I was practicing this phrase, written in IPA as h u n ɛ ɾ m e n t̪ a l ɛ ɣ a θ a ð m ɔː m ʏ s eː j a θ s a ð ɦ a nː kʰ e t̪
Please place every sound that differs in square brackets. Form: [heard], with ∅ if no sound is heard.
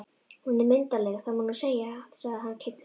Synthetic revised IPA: h u n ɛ ɾ m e n t̪ a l ɛ ɣ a θ a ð m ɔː [n] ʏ s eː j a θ s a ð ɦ a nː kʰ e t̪